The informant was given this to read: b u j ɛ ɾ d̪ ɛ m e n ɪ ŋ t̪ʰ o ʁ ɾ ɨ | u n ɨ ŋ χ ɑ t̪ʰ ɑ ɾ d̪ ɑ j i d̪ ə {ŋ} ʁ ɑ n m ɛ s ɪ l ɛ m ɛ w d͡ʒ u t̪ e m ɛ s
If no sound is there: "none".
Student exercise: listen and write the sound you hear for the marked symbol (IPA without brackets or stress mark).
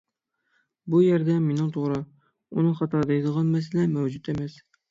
none